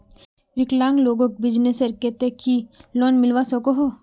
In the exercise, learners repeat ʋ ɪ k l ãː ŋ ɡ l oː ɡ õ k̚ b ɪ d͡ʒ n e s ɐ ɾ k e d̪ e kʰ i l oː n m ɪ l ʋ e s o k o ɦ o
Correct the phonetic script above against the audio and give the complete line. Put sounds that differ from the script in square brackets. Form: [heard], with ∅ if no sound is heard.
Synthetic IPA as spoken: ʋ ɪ k l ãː ŋ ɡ l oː ɡ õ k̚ b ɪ d͡ʒ n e s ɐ ɾ k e [t̪] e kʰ i l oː n m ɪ l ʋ [a] s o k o ɦ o